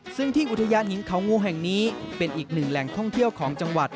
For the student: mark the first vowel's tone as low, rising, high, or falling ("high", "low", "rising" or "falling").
falling